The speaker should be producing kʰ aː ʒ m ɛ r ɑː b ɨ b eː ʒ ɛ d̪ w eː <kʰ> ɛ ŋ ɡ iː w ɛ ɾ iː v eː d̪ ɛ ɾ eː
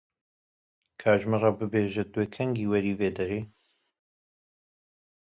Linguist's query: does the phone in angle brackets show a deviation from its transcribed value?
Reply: no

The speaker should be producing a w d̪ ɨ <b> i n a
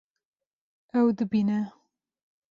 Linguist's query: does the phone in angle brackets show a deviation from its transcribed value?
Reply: no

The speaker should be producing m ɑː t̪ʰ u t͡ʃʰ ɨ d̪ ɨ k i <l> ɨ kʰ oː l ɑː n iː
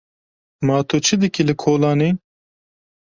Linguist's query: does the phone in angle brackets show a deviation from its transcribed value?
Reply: no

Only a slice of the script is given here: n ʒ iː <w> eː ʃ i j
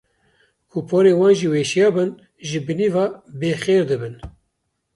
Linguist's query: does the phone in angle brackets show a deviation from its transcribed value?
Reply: no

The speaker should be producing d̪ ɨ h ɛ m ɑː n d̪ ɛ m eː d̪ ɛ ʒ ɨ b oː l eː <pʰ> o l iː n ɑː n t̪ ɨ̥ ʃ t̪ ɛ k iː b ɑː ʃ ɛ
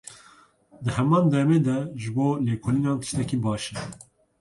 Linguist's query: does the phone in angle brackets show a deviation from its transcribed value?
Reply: yes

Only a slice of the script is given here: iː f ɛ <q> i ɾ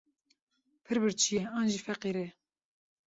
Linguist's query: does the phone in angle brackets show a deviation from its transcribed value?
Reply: no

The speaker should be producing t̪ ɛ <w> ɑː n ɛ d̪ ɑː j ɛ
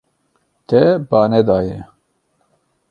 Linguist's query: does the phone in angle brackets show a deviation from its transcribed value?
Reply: yes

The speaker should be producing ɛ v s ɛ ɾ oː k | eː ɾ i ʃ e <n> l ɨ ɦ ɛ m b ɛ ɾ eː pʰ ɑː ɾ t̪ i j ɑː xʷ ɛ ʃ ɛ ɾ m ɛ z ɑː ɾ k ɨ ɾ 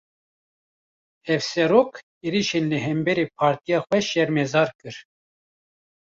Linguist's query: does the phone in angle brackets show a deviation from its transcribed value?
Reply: no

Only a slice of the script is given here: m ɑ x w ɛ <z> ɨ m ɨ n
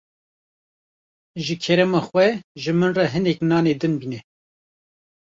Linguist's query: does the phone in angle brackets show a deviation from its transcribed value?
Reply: yes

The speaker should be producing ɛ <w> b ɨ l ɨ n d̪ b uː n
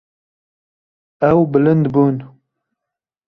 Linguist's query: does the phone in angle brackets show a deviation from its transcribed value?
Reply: no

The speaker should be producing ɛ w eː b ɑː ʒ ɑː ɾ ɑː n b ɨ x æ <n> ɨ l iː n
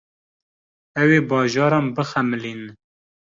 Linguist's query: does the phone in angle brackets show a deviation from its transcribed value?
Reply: yes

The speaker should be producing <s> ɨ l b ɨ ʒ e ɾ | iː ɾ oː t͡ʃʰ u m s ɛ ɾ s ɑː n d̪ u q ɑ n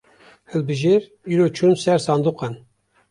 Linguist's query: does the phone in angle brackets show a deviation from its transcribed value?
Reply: yes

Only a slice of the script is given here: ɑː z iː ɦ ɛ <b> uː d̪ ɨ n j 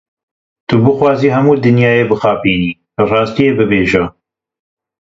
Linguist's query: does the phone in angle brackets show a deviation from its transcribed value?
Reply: yes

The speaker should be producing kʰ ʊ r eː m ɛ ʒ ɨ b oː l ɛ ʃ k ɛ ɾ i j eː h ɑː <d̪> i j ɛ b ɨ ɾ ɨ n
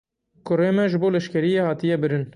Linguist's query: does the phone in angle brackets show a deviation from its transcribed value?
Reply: yes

